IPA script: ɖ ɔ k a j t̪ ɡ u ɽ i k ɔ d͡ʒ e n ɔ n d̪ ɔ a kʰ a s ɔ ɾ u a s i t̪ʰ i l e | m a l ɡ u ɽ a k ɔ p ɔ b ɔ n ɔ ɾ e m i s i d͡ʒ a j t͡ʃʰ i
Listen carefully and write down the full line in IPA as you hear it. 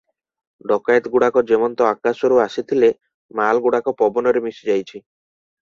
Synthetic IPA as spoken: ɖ ɔ k a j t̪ ɡ u ɽ a k ɔ d͡ʒ e m ɔ n t̪ ɔ a k a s ɔ ɾ u a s i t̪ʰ i l e | m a l ɡ u ɽ a k ɔ p ɔ b ɔ n ɔ ɾ e m i s i d͡ʒ a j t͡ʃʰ i